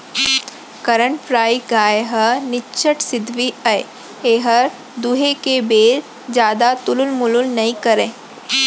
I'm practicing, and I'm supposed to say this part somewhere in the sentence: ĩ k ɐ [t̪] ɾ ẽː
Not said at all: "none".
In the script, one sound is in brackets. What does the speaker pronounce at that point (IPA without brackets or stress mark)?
none